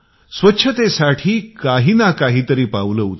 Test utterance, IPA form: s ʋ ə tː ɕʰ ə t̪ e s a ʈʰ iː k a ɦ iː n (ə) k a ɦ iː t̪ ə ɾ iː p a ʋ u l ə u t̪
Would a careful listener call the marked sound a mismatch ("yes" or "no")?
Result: yes